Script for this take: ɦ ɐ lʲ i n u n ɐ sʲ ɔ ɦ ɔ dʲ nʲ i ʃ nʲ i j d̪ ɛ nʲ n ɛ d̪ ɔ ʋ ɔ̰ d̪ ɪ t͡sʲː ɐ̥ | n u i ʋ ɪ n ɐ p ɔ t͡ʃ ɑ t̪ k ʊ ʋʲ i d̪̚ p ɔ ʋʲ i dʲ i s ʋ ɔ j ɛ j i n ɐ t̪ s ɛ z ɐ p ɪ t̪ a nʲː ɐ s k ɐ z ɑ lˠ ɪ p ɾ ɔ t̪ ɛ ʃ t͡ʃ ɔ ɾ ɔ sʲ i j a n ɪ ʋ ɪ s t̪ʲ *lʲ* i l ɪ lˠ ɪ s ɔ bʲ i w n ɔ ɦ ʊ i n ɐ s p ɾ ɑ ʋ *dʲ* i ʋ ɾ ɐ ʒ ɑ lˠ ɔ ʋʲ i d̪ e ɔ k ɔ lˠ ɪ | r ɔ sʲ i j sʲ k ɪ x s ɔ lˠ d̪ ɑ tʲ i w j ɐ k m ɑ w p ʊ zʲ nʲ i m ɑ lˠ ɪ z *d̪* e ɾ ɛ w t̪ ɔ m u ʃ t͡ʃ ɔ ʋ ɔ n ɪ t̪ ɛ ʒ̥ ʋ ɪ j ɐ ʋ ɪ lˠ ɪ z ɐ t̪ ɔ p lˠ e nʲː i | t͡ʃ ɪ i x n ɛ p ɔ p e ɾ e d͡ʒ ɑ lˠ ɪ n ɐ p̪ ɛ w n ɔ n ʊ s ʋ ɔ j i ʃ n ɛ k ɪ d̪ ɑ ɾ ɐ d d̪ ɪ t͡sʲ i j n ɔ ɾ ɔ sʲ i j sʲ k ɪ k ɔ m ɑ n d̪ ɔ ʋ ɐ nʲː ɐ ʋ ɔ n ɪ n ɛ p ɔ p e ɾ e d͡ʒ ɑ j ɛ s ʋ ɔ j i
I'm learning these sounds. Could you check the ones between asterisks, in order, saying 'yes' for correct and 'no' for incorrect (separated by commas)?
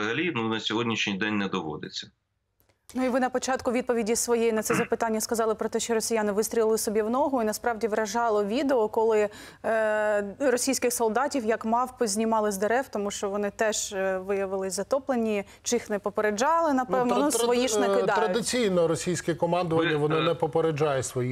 no, yes, yes